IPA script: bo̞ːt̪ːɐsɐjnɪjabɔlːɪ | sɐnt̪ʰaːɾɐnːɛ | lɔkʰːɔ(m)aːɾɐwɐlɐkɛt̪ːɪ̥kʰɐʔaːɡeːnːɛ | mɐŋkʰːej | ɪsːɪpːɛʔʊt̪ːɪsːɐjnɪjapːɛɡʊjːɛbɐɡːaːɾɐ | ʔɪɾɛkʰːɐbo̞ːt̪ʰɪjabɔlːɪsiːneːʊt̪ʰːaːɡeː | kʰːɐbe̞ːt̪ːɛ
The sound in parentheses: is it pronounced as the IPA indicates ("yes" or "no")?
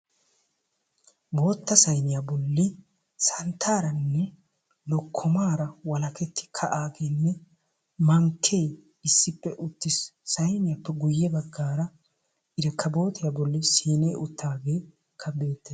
yes